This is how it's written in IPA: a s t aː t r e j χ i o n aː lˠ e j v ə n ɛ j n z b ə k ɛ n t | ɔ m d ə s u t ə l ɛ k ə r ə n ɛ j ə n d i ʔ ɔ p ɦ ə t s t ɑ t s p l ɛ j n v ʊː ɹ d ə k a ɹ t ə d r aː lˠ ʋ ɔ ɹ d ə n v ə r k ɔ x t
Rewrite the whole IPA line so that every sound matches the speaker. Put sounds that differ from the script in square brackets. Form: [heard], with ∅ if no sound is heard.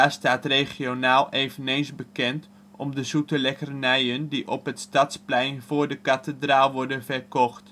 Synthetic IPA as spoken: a s t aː t r e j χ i o n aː lˠ e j v ə n [e] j n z b ə k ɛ n t | ɔ m d ə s u t ə l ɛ k ə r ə n ɛ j ə n d i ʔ ɔ p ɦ ə t s t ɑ t s p l ɛ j n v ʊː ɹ d ə k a [∅] t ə d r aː lˠ ʋ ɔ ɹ d ə n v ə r k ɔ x t

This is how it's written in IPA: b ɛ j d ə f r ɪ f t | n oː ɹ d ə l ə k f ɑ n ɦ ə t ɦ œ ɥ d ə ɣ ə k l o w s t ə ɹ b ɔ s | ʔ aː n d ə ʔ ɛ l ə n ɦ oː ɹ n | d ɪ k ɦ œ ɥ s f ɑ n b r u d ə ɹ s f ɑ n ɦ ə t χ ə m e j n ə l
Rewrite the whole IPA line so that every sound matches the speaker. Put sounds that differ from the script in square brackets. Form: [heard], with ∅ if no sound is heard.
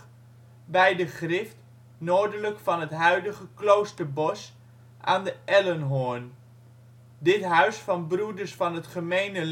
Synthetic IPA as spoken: b ɛ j d ə [χ] r ɪ f t | n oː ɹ d ə l ə k f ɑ n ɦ ə t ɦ œ ɥ d ə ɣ ə k l o w s t ə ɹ b ɔ s | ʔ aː n d ə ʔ ɛ l ə n ɦ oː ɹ n | d ɪ [t] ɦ œ ɥ s f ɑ n b r u d ə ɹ s f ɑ n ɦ ə t χ ə m e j n ə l

